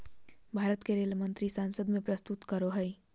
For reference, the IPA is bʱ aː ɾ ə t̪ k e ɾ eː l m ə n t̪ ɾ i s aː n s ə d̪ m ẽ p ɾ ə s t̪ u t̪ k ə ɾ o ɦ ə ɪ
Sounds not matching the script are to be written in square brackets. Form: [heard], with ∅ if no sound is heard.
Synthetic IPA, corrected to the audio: bʱ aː ɾ ə t̪ k e ɾ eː l m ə n t̪ ɾ i s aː n s ə d̪ m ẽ p ɾ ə s t̪ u t̪ k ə ɾ o ɦ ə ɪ